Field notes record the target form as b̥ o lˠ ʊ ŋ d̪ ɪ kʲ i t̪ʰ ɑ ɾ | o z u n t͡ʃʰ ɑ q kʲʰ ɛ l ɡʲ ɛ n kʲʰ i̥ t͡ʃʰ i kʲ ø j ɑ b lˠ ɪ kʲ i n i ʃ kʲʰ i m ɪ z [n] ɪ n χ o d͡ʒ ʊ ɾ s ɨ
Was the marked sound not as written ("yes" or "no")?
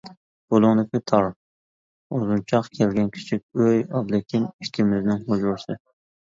no